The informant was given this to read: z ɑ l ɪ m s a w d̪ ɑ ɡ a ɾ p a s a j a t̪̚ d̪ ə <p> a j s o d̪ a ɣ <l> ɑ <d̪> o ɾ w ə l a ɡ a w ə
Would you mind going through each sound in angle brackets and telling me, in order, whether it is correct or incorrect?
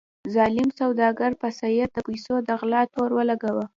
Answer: correct, correct, incorrect

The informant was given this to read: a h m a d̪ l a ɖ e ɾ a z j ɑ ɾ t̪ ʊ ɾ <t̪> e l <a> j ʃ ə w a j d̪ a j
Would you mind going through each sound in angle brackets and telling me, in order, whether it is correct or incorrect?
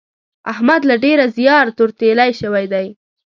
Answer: correct, correct

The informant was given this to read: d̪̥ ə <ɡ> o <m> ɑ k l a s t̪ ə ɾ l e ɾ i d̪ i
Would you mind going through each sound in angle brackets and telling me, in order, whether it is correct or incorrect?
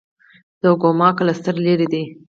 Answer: correct, correct

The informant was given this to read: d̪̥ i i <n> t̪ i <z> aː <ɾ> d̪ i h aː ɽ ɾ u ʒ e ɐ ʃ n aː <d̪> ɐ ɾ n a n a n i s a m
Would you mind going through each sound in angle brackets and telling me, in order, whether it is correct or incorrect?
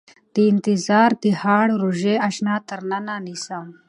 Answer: correct, correct, correct, incorrect

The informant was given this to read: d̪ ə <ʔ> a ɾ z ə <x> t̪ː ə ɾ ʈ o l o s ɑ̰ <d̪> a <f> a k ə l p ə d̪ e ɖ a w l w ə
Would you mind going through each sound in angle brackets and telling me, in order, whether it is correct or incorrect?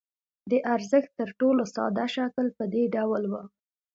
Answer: correct, correct, correct, incorrect

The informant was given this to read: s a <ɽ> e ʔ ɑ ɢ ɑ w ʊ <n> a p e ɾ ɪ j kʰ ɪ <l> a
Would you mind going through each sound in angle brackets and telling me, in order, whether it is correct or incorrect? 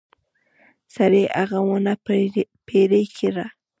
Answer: incorrect, correct, incorrect

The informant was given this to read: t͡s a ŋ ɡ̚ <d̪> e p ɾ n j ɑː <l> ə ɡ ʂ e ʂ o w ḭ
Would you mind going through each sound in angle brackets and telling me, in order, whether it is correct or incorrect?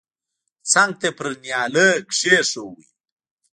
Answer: incorrect, correct

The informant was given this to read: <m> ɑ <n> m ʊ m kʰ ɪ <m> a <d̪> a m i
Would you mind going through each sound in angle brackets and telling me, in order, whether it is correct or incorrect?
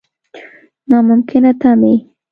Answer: incorrect, incorrect, incorrect, incorrect

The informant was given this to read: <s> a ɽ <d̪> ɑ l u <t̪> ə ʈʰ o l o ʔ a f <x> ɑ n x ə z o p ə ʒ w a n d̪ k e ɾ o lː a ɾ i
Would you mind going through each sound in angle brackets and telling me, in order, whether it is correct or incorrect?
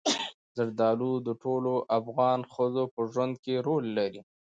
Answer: incorrect, correct, incorrect, incorrect

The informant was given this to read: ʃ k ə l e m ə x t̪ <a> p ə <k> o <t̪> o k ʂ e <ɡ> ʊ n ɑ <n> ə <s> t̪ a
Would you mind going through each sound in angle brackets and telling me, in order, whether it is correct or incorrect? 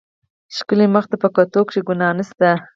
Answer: correct, correct, correct, correct, correct, correct

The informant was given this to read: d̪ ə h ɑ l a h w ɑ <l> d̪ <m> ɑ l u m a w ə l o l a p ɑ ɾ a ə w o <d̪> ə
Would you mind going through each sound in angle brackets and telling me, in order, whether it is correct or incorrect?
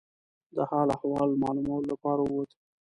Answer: correct, correct, incorrect

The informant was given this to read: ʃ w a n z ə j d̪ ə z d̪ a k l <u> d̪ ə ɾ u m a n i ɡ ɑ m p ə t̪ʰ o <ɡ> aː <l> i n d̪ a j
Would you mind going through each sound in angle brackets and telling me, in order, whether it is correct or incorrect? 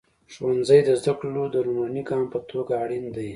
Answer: incorrect, correct, incorrect

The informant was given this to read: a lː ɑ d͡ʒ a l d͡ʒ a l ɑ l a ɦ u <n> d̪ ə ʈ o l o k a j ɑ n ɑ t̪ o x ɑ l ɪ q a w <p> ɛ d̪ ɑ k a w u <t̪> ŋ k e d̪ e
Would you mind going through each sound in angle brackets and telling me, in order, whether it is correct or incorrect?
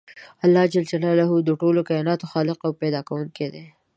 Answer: incorrect, correct, incorrect

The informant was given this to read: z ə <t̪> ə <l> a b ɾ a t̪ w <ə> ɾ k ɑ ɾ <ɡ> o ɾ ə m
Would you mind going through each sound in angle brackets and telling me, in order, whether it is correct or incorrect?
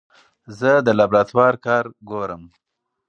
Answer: incorrect, correct, incorrect, correct

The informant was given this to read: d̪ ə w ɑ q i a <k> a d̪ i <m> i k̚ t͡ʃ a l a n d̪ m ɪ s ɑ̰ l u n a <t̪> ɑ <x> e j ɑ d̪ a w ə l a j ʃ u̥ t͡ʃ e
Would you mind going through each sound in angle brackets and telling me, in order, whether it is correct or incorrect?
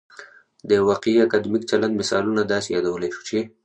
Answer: correct, correct, incorrect, incorrect

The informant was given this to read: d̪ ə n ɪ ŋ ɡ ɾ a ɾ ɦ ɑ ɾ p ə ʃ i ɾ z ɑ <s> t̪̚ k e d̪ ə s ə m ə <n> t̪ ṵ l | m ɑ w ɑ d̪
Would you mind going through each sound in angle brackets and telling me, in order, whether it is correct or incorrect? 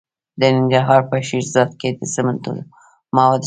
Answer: incorrect, correct

